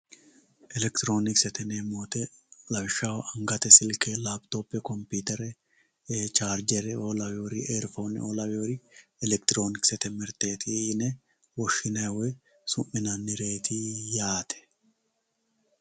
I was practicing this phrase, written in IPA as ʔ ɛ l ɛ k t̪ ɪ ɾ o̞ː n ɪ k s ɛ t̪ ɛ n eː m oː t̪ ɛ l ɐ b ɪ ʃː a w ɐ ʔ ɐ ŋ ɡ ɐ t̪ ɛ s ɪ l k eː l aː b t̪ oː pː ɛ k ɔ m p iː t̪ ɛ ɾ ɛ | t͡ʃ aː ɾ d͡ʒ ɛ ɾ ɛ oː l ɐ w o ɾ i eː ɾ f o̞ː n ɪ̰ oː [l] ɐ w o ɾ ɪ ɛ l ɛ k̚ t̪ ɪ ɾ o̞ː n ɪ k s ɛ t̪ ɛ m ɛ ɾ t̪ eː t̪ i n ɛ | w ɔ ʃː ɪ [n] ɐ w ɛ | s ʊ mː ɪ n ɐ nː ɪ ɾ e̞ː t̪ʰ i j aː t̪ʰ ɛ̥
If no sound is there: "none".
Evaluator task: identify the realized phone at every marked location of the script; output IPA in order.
l, n

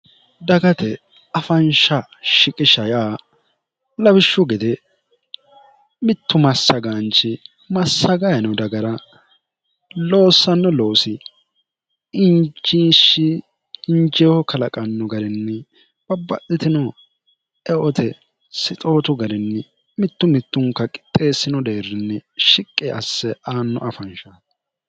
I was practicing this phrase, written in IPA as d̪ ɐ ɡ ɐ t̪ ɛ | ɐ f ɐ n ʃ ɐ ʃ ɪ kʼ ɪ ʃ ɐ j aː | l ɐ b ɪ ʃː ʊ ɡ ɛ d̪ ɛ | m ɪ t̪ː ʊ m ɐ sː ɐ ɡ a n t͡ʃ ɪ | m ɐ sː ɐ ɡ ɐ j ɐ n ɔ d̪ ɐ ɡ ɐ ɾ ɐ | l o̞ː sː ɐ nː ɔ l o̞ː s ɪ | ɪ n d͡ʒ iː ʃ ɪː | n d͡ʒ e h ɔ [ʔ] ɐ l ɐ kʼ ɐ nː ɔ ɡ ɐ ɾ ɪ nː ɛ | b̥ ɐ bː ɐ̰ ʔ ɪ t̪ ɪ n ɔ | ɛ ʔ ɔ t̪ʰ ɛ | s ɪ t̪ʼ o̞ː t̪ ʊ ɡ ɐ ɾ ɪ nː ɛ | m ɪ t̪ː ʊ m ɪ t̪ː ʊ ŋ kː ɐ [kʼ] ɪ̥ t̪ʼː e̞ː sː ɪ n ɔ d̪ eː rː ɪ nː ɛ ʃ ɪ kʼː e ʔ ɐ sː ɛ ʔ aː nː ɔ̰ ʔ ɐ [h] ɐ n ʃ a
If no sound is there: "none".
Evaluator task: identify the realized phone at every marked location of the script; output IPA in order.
k, kʼ, f

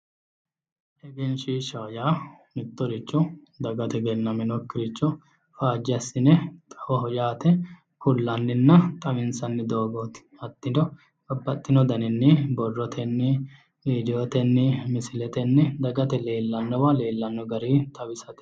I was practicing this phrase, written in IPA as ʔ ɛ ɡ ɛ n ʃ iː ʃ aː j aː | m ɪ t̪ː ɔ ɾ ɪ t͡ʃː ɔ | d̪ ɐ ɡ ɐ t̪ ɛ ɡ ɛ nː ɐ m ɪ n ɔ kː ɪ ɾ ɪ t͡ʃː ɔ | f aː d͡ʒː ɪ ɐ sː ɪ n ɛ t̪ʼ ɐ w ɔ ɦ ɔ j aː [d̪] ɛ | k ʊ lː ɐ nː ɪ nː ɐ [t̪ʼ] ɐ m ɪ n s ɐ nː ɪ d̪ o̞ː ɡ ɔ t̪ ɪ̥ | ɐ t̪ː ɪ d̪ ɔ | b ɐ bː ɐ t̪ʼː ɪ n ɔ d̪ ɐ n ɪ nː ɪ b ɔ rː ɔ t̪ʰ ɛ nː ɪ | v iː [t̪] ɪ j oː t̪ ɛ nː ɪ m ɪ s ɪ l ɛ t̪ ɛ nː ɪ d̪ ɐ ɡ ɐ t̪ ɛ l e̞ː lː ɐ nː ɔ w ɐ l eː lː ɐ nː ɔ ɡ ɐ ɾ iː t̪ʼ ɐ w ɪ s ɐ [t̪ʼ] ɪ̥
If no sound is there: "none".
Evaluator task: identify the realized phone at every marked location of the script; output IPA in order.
t̪, t̪ʼ, d̪, t̪

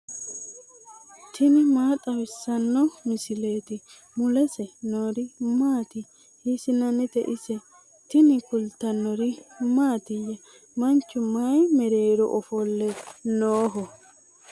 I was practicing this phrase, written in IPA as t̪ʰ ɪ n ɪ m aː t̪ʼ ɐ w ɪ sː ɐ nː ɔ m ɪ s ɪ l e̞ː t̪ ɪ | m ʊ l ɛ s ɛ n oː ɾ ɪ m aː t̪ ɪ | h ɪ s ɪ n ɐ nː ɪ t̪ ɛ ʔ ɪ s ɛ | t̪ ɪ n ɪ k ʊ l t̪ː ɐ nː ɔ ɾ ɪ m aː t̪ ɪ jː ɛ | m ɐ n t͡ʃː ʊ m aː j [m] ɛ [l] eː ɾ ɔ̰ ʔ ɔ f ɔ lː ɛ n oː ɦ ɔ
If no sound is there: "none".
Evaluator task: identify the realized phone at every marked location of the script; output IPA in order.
m, ɾ

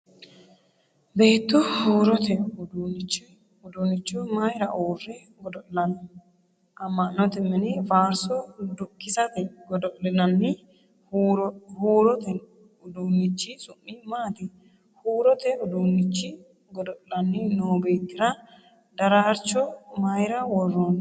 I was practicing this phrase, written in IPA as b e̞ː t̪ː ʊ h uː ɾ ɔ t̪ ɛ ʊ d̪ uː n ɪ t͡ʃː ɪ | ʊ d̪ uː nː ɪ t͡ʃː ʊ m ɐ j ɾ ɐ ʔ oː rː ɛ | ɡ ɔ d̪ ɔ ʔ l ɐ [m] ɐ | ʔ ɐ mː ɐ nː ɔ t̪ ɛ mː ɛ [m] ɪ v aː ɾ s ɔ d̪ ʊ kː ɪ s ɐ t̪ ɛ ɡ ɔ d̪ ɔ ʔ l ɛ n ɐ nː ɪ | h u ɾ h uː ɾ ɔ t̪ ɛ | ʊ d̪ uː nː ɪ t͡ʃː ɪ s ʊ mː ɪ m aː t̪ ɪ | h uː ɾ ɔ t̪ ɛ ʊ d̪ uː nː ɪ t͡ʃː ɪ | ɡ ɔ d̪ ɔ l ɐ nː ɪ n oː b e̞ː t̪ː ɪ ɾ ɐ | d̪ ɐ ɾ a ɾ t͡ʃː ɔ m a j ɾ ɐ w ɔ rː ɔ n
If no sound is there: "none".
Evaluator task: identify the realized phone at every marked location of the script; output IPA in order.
n, n

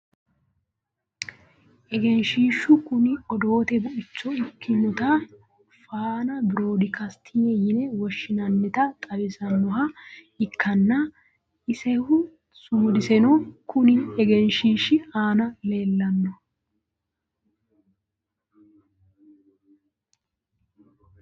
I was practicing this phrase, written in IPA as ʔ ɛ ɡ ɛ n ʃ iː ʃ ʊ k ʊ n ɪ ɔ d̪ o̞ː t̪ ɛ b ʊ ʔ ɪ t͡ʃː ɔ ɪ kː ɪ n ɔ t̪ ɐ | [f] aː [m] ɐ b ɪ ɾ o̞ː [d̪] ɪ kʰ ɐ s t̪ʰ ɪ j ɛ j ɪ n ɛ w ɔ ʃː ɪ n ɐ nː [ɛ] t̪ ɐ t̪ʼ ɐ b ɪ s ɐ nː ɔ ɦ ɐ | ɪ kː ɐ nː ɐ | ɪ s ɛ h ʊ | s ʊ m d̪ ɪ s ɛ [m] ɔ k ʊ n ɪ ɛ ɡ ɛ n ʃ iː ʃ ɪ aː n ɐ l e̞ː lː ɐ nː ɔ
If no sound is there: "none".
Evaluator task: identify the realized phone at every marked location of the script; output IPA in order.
f, n, d̪, ɛ, n

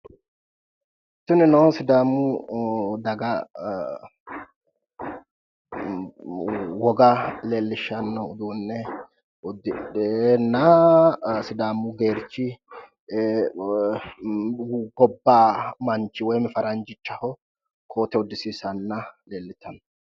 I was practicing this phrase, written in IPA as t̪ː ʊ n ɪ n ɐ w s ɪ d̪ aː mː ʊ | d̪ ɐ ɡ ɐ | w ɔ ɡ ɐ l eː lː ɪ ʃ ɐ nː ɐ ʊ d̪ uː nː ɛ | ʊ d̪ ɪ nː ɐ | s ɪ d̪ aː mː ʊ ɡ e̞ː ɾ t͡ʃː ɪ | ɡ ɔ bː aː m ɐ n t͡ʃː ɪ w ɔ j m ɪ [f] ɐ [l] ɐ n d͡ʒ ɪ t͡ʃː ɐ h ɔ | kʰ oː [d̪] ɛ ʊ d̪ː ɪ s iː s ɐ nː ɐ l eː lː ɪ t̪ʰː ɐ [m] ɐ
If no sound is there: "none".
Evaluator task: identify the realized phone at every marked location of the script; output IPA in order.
f, ɾ, t̪, n

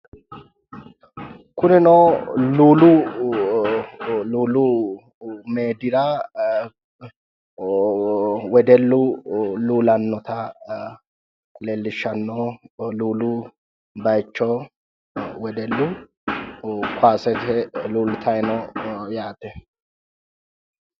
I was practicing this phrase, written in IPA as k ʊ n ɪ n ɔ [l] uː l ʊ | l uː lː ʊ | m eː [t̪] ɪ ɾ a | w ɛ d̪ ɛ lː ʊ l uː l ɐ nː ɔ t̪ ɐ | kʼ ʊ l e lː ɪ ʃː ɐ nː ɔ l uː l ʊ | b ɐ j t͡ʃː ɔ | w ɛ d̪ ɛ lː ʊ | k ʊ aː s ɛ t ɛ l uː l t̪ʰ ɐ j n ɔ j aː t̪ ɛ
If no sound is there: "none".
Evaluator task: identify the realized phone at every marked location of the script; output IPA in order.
l, d̪

